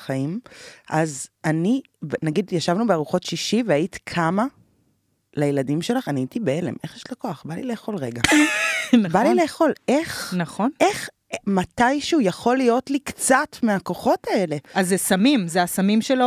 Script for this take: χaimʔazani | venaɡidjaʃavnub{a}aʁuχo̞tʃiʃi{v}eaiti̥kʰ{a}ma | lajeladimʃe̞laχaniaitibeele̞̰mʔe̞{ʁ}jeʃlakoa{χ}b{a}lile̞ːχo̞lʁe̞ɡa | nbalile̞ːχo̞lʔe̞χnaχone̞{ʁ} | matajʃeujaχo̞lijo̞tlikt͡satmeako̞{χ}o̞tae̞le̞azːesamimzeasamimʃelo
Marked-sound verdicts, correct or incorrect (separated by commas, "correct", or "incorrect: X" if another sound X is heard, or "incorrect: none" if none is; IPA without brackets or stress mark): incorrect: e, correct, correct, incorrect: χ, correct, correct, incorrect: χ, correct